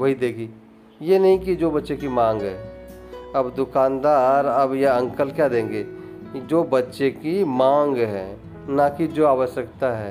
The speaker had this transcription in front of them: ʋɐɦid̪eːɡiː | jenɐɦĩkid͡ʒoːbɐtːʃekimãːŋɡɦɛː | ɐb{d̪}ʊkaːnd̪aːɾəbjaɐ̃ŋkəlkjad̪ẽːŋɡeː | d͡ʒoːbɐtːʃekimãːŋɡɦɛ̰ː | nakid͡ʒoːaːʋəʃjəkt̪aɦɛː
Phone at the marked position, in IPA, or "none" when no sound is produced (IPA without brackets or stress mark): d̪